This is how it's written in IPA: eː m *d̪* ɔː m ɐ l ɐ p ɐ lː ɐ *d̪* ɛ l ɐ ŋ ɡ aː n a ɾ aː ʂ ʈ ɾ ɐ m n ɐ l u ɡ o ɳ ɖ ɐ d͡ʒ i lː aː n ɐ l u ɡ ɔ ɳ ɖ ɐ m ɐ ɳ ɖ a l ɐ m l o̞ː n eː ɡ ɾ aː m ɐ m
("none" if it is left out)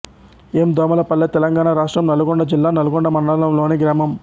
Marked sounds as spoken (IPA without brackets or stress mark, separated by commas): d̪, t̪